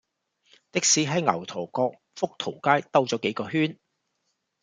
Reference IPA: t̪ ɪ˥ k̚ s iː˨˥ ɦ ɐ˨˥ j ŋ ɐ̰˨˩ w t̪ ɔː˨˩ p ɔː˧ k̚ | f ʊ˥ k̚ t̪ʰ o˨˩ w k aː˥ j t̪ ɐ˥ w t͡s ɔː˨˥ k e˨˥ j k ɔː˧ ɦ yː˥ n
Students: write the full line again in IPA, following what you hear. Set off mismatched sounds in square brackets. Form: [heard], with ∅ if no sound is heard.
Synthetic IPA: t̪ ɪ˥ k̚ s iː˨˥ ɦ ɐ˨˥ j ŋ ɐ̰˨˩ w [t̪ʰ] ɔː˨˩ [k] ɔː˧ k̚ | f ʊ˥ k̚ t̪ʰ o˨˩ w k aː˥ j t̪ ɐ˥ w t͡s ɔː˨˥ k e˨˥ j k ɔː˧ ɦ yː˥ n